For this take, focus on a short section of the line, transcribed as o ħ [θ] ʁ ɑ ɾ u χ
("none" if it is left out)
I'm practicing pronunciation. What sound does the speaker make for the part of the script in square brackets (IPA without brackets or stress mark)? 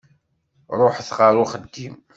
θ